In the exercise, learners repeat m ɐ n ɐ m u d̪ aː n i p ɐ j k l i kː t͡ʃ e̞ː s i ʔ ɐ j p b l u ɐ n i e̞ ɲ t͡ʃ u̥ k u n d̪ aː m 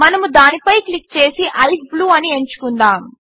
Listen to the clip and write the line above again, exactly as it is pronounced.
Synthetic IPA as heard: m ɐ n ɐ m u d̪ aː n i p ɐ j k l i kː t͡ʃ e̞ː s i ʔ ɐ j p b l uː ɐ n i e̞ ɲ t͡ʃ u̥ k u n d̪ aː m